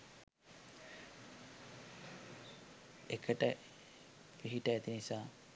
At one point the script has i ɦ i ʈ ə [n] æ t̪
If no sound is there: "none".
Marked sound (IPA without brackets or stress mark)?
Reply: none